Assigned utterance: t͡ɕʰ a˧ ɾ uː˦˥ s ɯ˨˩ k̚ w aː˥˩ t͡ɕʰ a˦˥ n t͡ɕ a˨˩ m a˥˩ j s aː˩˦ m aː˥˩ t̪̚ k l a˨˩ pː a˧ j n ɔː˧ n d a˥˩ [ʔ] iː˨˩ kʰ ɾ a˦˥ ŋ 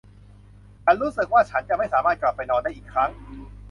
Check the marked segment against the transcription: correct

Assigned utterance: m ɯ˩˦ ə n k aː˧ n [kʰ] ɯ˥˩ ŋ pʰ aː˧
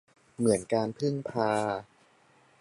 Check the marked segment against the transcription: incorrect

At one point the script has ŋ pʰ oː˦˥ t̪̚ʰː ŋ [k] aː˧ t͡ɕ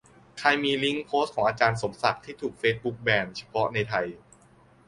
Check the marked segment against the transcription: incorrect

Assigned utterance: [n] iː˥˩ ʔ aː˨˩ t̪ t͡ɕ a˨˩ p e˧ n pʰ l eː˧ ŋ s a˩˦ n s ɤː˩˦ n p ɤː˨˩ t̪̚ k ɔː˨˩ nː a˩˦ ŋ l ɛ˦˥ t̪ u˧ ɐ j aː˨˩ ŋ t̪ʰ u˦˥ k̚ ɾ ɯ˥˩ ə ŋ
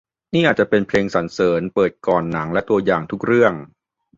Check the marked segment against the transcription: correct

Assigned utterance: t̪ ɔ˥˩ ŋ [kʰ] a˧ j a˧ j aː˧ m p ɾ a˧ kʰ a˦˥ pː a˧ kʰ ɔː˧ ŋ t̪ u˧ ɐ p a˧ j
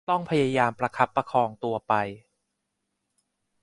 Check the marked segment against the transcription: incorrect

